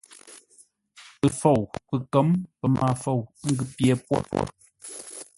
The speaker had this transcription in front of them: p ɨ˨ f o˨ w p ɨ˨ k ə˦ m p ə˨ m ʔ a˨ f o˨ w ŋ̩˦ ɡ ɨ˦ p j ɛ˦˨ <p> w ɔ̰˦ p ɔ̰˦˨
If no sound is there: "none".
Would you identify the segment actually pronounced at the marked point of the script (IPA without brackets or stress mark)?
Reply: p